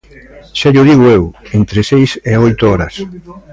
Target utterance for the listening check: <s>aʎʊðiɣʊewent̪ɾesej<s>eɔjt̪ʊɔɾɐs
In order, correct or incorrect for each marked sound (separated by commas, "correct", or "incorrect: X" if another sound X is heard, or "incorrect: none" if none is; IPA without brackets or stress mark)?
incorrect: ʃ, correct